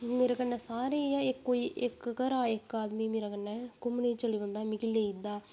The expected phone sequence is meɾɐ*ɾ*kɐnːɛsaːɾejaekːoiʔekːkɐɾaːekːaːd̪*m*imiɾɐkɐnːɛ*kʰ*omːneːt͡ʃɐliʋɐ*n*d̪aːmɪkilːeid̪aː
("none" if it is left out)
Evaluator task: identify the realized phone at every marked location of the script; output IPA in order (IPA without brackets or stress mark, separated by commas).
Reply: none, m, k, n